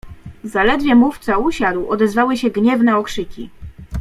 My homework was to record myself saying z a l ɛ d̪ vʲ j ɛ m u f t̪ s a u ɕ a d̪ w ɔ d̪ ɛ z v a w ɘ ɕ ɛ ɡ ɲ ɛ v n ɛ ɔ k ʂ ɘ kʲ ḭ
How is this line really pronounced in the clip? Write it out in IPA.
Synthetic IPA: z a l ɛ d̪ vʲ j ɛ m u f t̪ s a u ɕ a d̪ w ɔ d̪ ɛ z v a w ɘ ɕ ɛ ɡ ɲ ɛ v n ɛ ɔ k ʂ ɘ kʲ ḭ